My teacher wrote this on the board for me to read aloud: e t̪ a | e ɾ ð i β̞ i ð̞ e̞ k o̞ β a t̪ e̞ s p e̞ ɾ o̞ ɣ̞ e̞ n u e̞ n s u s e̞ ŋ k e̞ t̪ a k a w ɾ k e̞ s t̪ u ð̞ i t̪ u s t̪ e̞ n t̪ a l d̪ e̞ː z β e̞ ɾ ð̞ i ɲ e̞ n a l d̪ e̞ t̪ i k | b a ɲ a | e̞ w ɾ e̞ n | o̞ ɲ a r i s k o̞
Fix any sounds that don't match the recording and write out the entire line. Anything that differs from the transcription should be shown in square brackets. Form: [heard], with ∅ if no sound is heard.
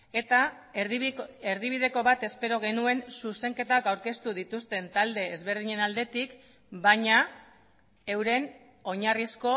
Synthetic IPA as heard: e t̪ a | e ɾ ð i β̞ i ð̞ e̞ k o̞ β a t̪ e̞ s p e̞ ɾ o̞ ɣ̞ e̞ n u e̞ n s u s e̞ ŋ k e̞ t̪ a k a w ɾ k e̞ s t̪ u ð̞ i t̪ u s t̪ e̞ n t̪ a l d̪ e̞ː z β e̞ ɾ ð̞ i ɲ e̞ n a l d̪ e̞ t̪ i k | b a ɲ a | e̞ w ɾ e̞ n | o̞ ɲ a r i s k o̞

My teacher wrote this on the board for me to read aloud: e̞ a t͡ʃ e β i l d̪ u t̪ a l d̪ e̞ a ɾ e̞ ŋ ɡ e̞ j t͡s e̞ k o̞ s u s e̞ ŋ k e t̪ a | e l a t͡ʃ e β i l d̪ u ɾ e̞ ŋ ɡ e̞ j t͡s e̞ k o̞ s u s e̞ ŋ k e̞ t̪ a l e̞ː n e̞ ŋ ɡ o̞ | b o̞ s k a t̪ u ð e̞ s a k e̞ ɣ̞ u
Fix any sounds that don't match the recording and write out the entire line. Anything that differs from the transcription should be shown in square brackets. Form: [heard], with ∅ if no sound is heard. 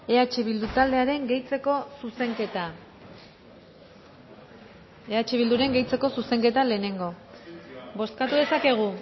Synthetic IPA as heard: e̞ a t͡ʃ e β i l d̪ u t̪ a l d̪ e̞ a ɾ e̞ ŋ ɡ e̞ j t͡s e̞ k o̞ s u s e̞ ŋ k e t̪ a | e [∅] a t͡ʃ e β i l d̪ u ɾ e̞ ŋ ɡ e̞ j t͡s e̞ k o̞ s u s e̞ ŋ k e̞ t̪ a l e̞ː n e̞ ŋ ɡ o̞ | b o̞ s k a t̪ u ð e̞ s a k e̞ ɣ̞ u

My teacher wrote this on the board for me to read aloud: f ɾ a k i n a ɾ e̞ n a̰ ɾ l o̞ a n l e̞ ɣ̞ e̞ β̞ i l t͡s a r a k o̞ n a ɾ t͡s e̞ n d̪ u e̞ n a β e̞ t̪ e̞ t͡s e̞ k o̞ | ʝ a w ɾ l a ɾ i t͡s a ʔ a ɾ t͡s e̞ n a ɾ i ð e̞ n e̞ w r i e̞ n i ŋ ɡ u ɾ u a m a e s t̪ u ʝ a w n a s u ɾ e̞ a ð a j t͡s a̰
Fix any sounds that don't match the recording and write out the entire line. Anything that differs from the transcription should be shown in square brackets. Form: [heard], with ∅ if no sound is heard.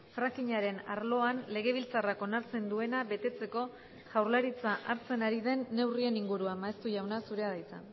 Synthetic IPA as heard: f ɾ a k i [ɲ] a ɾ e̞ n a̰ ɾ l o̞ a n l e̞ ɣ̞ e̞ β̞ i l t͡s a r a k o̞ n a ɾ t͡s e̞ n d̪ u e̞ n a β e̞ t̪ e̞ t͡s e̞ k o̞ | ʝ a w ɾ l a ɾ i t͡s a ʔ a ɾ t͡s e̞ n a ɾ i ð e̞ [nː] e̞ w r i e̞ n i ŋ ɡ u ɾ u a m a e s t̪ u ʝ a w n a s u ɾ e̞ a ð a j t͡s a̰

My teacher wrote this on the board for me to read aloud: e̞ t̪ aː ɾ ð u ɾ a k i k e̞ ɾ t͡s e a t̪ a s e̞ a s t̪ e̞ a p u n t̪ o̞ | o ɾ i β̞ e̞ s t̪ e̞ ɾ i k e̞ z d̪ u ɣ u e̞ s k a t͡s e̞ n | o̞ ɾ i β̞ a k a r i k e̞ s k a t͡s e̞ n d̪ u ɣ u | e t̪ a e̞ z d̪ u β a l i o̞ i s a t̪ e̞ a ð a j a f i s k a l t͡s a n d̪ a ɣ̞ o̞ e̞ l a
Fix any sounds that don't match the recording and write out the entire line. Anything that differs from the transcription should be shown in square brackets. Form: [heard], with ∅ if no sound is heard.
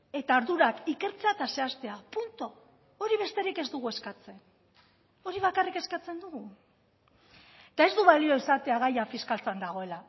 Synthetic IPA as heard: e̞ t̪ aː ɾ ð u ɾ a k i k e̞ ɾ t͡s e a t̪ a s e̞ a s t̪ e̞ a p u n t̪ o̞ | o ɾ i β̞ e̞ s t̪ e̞ ɾ i k e̞ z d̪ u ɣ u e̞ s k a t͡s e̞ n | o̞ ɾ i β̞ a k a r i k e̞ s k a t͡s e̞ n d̪ u ɣ u | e t̪ a e̞ z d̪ u β a l i o̞ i s a t̪ e̞ a [ɣ] a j a f i s k a l t͡s a n d̪ a ɣ̞ o̞ e̞ l a

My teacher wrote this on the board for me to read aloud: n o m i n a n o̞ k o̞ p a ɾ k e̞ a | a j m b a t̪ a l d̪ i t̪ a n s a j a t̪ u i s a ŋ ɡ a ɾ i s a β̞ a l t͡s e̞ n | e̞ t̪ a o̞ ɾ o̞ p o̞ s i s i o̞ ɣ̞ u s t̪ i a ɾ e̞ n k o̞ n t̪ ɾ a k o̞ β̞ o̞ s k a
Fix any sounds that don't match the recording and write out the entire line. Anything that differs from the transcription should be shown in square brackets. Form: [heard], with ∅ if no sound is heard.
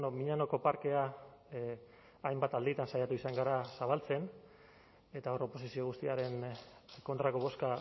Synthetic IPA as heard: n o m i [ɲ] a n o̞ k o̞ p a ɾ k e̞ a | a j m b a t̪ a l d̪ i t̪ a n s a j a t̪ u i s a ŋ ɡ a ɾ [a] s a β̞ a l t͡s e̞ n | e̞ t̪ a o̞ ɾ o̞ p o̞ s i s i o̞ ɣ̞ u s t̪ i a ɾ e̞ n k o̞ n t̪ ɾ a k o̞ β̞ o̞ s k a

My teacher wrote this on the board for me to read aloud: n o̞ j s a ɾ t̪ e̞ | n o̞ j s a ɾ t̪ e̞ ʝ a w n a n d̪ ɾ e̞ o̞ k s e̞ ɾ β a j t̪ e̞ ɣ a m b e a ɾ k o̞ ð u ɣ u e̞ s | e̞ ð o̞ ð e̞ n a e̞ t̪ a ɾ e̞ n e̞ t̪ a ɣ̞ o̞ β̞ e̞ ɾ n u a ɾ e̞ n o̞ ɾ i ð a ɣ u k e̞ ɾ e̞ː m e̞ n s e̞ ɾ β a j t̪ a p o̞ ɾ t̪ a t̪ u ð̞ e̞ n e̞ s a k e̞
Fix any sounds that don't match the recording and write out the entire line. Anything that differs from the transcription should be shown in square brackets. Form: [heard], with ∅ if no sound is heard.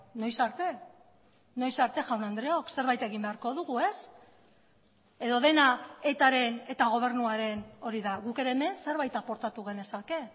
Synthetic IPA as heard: n o̞ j s a ɾ t̪ e̞ | n o̞ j s a ɾ t̪ e̞ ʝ a w n a n d̪ ɾ e̞ o̞ k s e̞ ɾ β a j t̪ e̞ ɣ [i] m b e a ɾ k o̞ ð u ɣ u e̞ s | e̞ ð o̞ ð e̞ n a e̞ t̪ a ɾ e̞ n e̞ t̪ a ɣ̞ o̞ β̞ e̞ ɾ n u a ɾ e̞ n o̞ ɾ i ð a ɣ u k e̞ ɾ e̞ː m e̞ n s e̞ ɾ β a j t̪ a p o̞ ɾ t̪ a t̪ u [ɣ̞] e̞ n e̞ s a k e̞

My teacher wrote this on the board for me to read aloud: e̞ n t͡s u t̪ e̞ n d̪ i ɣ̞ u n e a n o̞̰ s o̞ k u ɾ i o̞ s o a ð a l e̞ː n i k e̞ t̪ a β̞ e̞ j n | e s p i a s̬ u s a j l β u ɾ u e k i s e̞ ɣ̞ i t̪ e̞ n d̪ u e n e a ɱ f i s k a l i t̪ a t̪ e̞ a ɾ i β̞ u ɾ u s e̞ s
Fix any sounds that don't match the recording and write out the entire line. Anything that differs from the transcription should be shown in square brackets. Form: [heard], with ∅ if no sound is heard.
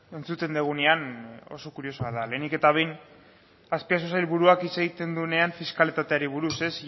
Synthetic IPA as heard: e̞ n t͡s u t̪ e̞ n d̪ [e] ɣ̞ u n e a n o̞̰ s o̞ k u ɾ i o̞ s o a ð a l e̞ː n i k e̞ t̪ a β̞ e̞ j n | [a] s p i a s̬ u s a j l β u ɾ u [a] k i s e̞ ɣ̞ i t̪ e̞ n d̪ u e n e a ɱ f i s k a l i t̪ a t̪ e̞ a ɾ i β̞ u ɾ u s e̞ s

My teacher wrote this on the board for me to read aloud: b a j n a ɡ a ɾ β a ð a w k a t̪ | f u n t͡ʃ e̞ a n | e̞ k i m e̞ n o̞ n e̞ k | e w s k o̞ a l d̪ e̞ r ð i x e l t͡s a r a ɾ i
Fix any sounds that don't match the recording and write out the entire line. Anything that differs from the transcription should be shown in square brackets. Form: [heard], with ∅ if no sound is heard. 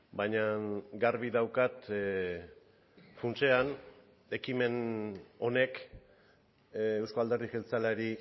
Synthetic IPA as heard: b a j [ɲ] a ɡ a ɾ β [i] ð a w k a t̪ | f u n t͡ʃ e̞ a n | e̞ k i m e̞ n o̞ n e̞ k | e w s k o̞ a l d̪ e̞ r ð i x e l t͡s a [l] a ɾ i

